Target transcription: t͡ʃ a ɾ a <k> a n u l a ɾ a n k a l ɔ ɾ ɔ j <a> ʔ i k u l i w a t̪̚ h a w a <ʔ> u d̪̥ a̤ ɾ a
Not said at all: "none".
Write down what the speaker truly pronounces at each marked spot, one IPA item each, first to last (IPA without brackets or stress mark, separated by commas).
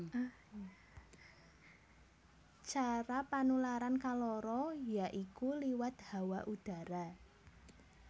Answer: p, a, ʔ